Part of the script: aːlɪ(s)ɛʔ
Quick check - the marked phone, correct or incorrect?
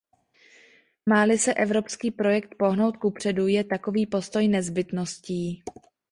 correct